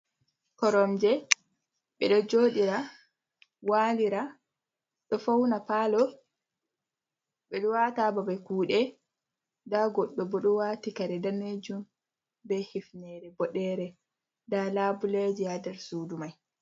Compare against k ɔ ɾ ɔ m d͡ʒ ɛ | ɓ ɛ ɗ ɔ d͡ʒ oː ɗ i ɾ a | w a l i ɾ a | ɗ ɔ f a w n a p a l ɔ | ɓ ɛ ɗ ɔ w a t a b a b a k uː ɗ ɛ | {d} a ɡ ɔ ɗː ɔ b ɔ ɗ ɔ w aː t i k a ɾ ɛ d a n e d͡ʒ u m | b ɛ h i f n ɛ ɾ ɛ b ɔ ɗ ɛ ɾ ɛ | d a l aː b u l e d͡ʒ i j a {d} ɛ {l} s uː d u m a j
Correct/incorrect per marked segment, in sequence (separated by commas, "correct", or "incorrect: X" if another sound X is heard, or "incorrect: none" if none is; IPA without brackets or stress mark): correct, correct, incorrect: ɾ